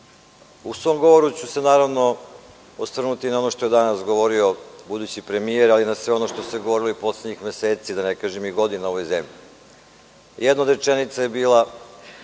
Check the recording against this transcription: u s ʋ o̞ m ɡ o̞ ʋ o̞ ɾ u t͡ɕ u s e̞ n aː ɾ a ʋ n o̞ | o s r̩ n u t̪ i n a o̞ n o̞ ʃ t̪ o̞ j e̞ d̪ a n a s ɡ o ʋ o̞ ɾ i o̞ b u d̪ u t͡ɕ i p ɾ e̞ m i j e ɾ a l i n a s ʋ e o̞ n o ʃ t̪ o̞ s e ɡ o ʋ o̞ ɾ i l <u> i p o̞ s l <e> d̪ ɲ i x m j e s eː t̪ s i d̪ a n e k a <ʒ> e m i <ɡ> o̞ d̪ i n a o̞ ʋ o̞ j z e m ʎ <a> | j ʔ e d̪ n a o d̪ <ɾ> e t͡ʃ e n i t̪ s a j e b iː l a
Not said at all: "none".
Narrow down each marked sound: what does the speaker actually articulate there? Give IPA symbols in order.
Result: o, e, ʒ, ɡ, i, ɾ

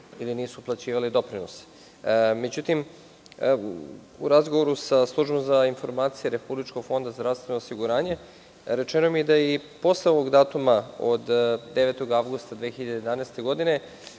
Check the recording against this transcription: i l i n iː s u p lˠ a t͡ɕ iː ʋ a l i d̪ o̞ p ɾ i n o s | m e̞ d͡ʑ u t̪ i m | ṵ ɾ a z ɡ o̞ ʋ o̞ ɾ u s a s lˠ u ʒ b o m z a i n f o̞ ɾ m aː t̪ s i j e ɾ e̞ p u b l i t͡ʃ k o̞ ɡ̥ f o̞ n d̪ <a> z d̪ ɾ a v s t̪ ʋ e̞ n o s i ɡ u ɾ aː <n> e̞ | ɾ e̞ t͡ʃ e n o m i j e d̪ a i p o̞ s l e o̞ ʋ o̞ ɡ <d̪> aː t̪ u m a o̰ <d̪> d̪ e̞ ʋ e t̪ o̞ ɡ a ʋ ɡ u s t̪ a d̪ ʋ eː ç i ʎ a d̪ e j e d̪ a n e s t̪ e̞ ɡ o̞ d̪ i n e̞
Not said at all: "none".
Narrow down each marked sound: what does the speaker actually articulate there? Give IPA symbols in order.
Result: a, ɲ, d̪, d̪

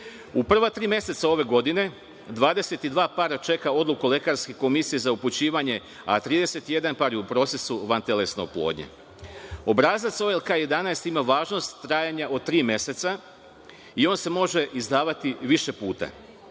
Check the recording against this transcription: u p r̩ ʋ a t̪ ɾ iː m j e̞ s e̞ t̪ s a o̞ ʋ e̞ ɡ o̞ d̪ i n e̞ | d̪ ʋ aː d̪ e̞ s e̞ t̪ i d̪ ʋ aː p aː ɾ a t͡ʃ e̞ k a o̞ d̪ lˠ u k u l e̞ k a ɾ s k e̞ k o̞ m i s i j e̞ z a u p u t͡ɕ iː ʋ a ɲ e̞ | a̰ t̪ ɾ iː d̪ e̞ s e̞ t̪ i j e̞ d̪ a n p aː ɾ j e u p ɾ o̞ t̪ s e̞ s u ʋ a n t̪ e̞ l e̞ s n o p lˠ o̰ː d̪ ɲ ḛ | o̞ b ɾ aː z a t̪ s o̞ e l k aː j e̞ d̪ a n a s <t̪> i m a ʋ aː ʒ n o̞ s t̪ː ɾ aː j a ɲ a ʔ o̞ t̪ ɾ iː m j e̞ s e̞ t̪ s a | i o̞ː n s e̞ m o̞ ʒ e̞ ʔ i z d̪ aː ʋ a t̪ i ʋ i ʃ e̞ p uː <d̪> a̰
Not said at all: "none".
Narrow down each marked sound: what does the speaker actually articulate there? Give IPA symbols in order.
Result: t̪, t̪

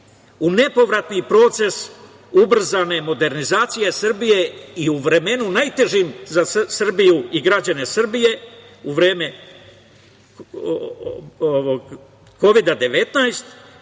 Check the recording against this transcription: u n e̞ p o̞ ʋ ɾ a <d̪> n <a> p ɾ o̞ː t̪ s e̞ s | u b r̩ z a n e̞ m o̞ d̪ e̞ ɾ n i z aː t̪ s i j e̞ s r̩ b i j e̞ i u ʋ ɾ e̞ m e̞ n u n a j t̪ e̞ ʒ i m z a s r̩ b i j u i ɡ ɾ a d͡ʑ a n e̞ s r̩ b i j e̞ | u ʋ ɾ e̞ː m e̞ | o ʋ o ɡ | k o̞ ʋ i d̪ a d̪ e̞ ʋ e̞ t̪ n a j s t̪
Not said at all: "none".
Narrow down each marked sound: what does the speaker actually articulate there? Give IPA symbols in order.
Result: t̪, i

